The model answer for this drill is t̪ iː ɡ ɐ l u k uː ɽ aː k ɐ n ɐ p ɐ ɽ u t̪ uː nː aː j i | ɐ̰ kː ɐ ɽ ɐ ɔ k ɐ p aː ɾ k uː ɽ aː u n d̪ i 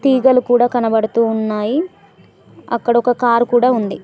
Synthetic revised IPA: t̪ iː ɡ ɐ l u k uː ɽ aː k ɐ n ɐ b ɐ ɽ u t̪ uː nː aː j i | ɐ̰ kː ɐ ɽ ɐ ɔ k ɐ k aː ɾ k uː ɽ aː u n d̪ i